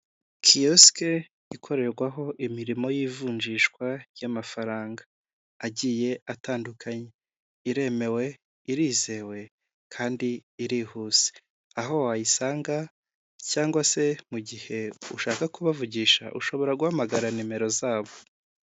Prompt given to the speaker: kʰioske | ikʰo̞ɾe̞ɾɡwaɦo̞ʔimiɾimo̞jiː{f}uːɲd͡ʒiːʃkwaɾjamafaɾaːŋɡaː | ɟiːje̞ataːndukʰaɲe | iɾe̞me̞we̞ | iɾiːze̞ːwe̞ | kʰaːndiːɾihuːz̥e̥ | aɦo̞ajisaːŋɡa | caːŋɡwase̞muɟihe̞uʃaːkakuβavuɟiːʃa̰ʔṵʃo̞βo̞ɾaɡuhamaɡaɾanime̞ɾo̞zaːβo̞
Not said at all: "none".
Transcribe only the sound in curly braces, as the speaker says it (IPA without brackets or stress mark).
v